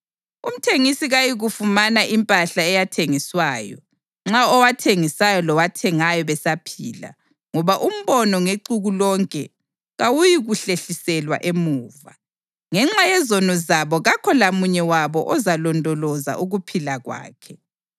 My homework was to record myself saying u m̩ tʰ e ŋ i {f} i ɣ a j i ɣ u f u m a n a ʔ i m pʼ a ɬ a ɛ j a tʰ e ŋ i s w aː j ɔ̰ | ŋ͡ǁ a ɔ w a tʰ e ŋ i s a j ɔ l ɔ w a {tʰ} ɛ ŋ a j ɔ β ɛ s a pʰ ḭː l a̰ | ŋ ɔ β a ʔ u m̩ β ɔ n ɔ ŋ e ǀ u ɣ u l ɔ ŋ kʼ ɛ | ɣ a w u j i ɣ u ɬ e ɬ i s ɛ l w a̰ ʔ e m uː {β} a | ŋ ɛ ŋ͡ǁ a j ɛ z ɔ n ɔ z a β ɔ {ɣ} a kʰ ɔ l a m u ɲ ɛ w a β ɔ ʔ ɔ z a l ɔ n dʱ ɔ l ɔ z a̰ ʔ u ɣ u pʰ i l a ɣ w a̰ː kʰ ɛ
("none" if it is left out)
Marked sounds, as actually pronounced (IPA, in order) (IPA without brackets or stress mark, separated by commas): s, tʰ, v, ɣ